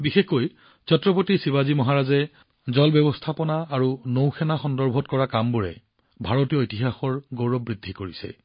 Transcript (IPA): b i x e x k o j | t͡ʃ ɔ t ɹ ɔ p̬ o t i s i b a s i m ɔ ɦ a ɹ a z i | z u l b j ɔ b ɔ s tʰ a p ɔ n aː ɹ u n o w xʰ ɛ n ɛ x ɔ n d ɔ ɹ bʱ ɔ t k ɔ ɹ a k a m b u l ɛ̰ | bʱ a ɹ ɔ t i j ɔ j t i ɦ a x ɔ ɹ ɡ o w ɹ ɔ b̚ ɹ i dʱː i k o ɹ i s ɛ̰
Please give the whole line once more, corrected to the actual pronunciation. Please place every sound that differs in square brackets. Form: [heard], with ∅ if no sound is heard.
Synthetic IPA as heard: b i x e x k o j | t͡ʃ ɔ t ɹ ɔ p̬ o t i s i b a [z] i m ɔ ɦ a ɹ a z [ɛ] | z [ɔ] l b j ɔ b ɔ s tʰ a p ɔ n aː ɹ u n o w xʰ ɛ n [a] x ɔ n d ɔ ɹ bʱ ɔ t k ɔ ɹ a k a m b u [ɹ] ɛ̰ | bʱ a ɹ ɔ t i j ɔ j t i ɦ a x ɔ ɹ ɡ o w ɹ ɔ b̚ ɹ i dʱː i k o ɹ i s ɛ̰

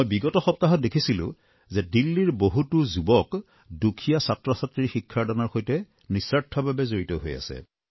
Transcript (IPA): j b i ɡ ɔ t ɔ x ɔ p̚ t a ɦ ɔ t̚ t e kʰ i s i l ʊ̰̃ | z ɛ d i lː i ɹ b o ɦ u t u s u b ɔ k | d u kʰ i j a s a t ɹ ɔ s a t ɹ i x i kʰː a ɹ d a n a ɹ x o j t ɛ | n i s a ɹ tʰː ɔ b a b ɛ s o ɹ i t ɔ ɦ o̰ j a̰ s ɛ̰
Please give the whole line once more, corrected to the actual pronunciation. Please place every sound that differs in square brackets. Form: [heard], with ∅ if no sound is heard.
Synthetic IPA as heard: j b i ɡ ɔ t ɔ x ɔ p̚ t a ɦ ɔ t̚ [d] e kʰ i s i l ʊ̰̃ | z ɛ d i lː i ɹ b o ɦ u t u [z] u b ɔ k | d u kʰ i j a s a t ɹ ɔ s a t ɹ i x i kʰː a ɹ d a n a ɹ x o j t ɛ | n i s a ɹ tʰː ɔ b a b ɛ [z] o ɹ i t ɔ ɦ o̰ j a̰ s ɛ̰

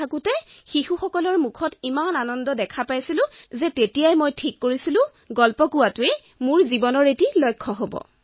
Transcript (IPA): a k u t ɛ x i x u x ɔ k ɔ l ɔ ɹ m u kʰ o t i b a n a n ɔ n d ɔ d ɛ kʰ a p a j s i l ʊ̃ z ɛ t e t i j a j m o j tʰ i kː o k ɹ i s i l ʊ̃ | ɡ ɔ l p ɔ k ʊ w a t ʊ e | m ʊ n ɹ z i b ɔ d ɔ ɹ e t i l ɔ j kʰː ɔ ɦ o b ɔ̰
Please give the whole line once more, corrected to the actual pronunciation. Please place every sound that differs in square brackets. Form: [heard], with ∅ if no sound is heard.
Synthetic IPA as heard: a k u t ɛ x i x u x ɔ k ɔ l ɔ ɹ m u kʰ [ɔ] t i [m] a n a n ɔ n d ɔ d ɛ kʰ a p a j s i l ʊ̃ z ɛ t e t i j a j m o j tʰ i kː o [∅] ɹ i s i l ʊ̃ | ɡ ɔ l p ɔ k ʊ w a t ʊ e | m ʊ [∅] ɹ z i b ɔ [n] ɔ ɹ e t i l ɔ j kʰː ɔ ɦ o b ɔ̰

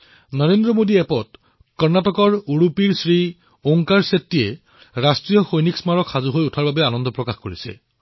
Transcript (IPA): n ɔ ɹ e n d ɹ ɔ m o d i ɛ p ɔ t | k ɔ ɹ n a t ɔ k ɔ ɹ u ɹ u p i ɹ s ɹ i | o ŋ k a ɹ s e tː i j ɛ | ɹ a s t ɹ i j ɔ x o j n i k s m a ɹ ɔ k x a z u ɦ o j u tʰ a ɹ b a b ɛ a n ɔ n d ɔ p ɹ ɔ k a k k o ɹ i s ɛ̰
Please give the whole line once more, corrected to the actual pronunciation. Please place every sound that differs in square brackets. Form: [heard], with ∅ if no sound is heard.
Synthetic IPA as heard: n ɔ ɹ e n d ɹ ɔ m o d i ɛ p ɔ t | k ɔ ɹ n a t ɔ k ɔ ɹ u ɹ u p i ɹ s ɹ i | o ŋ k a ɹ s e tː i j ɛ | ɹ a s t ɹ i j ɔ x o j n i k s m a ɹ ɔ k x a z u ɦ o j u tʰ a ɹ b a b ɛ a n ɔ n d ɔ p ɹ ɔ k a [x] k o ɹ i s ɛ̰

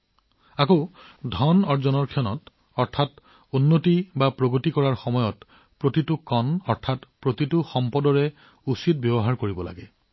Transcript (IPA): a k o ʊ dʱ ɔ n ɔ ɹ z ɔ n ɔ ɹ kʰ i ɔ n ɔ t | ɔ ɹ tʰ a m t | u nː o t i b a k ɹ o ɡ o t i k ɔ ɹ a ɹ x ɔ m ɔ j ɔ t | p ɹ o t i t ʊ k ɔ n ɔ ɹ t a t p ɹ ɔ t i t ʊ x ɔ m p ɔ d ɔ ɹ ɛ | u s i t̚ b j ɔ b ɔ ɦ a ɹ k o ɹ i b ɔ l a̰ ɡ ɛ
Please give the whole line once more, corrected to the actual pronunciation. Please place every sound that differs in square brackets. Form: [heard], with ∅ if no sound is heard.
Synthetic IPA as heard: a k o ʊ dʱ ɔ n ɔ ɹ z ɔ n ɔ ɹ kʰ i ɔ n ɔ t | ɔ ɹ tʰ a [∅] t | u nː o t i b a [p] ɹ o ɡ o t i k ɔ ɹ a ɹ x ɔ m ɔ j ɔ t | p ɹ o t i t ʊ k ɔ n ɔ ɹ [tʰ] a t p ɹ [o] t i t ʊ x ɔ m p ɔ d ɔ ɹ ɛ | u s i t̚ b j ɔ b ɔ ɦ a ɹ k o ɹ i b ɔ l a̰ ɡ ɛ

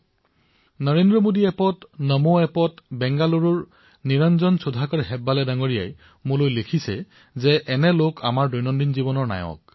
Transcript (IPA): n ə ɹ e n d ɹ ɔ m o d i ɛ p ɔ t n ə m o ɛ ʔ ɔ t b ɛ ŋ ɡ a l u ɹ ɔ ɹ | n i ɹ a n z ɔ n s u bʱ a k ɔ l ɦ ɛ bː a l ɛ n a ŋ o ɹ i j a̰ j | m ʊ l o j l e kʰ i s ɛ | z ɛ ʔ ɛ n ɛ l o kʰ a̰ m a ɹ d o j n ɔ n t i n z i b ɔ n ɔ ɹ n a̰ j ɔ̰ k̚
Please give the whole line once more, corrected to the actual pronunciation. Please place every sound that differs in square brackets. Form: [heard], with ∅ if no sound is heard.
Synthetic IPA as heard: n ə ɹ e n d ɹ ɔ m o d i ɛ p ɔ t n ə m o ɛ [p] ɔ t b ɛ ŋ ɡ a l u ɹ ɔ ɹ | n i ɹ a n z ɔ n s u [dʱ] a k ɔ [ɹ] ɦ ɛ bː a l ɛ [d] a ŋ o ɹ i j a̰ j | m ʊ l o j l e kʰ i s ɛ | z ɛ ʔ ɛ n ɛ l o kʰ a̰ m a ɹ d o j n ɔ n [d] i n z i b ɔ n ɔ ɹ n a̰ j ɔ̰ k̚

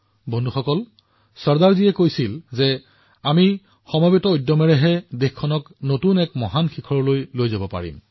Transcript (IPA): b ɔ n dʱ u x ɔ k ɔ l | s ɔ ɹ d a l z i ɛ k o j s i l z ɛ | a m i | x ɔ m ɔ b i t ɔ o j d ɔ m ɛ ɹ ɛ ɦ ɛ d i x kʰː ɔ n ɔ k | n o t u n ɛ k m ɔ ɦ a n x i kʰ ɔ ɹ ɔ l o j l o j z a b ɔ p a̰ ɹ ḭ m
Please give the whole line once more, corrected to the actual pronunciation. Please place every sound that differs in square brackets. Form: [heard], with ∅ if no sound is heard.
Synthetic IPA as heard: b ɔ n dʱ u x ɔ k ɔ l | s ɔ ɹ d a [ɹ] z i ɛ k o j s i l z ɛ | a m i | x ɔ m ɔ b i t ɔ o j d ɔ m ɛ ɹ ɛ ɦ ɛ d [e] x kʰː ɔ n ɔ k | n o t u n ɛ k m ɔ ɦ a n x i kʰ ɔ ɹ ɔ l o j l o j z a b ɔ p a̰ ɹ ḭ m

